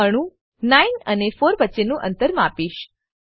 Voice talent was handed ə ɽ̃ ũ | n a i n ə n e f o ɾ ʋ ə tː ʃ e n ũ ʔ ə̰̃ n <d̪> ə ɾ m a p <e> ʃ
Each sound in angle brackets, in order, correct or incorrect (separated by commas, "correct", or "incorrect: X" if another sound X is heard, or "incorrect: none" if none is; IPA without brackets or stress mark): incorrect: t̪, incorrect: i